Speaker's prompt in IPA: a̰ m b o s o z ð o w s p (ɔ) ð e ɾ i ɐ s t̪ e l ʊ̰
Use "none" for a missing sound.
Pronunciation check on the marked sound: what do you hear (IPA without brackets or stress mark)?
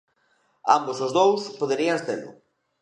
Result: o